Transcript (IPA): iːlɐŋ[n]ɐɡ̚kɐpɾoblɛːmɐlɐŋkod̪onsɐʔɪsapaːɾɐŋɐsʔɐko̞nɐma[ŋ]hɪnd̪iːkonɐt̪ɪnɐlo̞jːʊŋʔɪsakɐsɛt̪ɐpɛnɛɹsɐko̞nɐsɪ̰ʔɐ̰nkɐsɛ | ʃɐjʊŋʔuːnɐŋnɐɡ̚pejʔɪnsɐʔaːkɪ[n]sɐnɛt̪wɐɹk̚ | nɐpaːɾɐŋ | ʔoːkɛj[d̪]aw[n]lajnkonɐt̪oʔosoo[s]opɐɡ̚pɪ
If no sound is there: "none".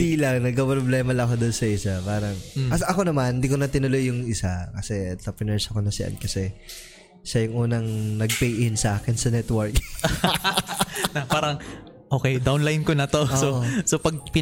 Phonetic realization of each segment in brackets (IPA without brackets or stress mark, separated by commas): n, n, n, d̪, n, s